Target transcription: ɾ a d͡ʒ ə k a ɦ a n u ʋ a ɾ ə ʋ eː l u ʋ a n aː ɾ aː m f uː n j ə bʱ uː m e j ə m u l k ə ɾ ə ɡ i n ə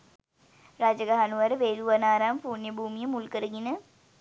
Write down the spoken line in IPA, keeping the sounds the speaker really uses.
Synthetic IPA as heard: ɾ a d͡ʒ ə ɡ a ɦ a n u ʋ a ɾ ə ʋ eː l u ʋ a n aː ɾ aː m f uː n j ə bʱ uː m i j ə m u l k ə ɾ ə ɡ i n ə